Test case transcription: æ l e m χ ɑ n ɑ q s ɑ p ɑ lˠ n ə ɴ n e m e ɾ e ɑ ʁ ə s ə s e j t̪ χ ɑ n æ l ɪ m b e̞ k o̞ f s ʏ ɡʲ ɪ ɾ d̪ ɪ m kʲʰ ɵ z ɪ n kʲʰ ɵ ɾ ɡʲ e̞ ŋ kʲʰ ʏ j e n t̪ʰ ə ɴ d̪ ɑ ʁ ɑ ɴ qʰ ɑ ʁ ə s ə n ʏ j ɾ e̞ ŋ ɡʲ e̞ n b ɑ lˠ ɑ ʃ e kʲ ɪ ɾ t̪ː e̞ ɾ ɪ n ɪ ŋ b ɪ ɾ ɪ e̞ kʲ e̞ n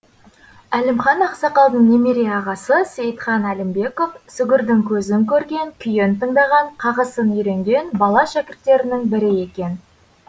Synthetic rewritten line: æ l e m χ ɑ n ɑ q s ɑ q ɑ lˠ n ə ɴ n e m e ɾ e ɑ ʁ ɑ s ə s e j t̪ χ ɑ n æ l ɪ m b e̞ k o̞ f s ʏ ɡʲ ɪ ɾ d̪ ɪ ŋ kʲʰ ɵ z ɪ ŋ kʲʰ ɵ ɾ ɡʲ e̞ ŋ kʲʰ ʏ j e n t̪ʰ ə ɴ d̪ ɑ ʁ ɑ ɴ qʰ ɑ ʁ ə s ə n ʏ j ɾ e̞ ŋ ɡʲ e̞ n b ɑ lˠ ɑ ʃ æ kʲ ɪ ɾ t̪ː e̞ ɾ ɪ n ɪ ŋ b ɪ ɾ ɪ e̞ kʲ e̞ n